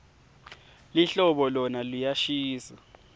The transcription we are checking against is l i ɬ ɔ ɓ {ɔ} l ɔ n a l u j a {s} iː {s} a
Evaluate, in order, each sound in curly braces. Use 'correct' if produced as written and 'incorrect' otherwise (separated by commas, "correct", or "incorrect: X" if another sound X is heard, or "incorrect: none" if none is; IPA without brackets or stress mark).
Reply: correct, incorrect: ʃ, correct